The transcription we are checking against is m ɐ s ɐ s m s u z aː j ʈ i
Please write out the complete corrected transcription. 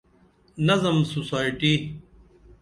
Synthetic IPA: n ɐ z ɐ m s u s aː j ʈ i